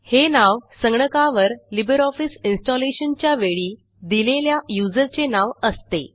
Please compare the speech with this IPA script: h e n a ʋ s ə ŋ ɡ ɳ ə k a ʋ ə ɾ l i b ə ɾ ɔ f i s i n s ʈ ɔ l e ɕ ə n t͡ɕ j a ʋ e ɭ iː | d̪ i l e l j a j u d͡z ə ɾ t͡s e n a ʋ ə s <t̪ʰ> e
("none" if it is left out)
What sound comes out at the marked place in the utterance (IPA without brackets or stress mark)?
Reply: t̪